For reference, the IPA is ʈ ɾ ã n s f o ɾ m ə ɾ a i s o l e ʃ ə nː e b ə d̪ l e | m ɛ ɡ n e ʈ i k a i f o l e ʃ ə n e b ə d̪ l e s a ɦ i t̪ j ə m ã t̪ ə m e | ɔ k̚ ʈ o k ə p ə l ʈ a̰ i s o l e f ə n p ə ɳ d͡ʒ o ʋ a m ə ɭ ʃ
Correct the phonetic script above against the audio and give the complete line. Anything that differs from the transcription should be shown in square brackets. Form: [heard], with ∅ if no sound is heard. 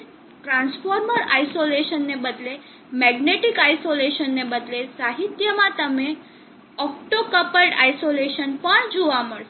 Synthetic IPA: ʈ ɾ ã n s f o ɾ m ə ɾ a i s o l e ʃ ə nː e b ə d̪ l e | m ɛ ɡ n e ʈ i k a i [s] o l e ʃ ə [nː] e b ə d̪ l e s a ɦ i t̪ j ə m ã t̪ ə m e | ɔ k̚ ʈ o k ə p ə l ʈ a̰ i s o l e [ʃ] ə n p ə ɳ d͡ʒ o ʋ a m ə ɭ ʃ